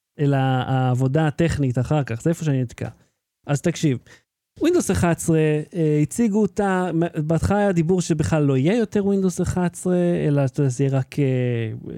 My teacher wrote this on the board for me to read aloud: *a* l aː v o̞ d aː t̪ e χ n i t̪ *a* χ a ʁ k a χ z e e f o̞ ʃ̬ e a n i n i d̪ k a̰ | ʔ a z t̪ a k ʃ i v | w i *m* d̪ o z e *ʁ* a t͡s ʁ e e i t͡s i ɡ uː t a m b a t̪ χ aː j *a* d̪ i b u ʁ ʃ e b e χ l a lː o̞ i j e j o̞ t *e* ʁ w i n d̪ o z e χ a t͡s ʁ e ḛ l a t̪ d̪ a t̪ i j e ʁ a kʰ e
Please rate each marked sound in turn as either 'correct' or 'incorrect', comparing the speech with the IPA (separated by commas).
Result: incorrect, correct, incorrect, incorrect, correct, correct